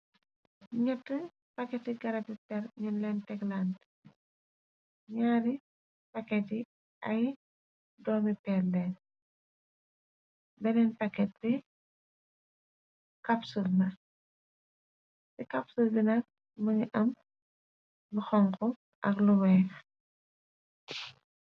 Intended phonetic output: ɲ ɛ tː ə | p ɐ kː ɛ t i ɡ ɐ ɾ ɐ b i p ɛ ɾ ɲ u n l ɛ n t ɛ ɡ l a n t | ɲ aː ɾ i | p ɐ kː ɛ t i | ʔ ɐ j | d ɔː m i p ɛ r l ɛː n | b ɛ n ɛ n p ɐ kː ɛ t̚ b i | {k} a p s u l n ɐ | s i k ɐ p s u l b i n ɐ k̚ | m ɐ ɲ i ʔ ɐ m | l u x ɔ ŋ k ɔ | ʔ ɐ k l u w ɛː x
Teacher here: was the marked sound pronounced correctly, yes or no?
yes